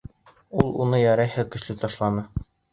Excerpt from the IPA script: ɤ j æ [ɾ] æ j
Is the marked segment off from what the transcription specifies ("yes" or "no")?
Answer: no